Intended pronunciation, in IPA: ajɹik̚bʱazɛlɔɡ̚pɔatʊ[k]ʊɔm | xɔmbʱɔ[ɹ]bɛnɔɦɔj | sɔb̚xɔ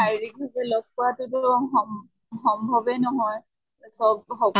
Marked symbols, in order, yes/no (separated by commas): no, no